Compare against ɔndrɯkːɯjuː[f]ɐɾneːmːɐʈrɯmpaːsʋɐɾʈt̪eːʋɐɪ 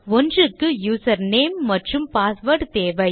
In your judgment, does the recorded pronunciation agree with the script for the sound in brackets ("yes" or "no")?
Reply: no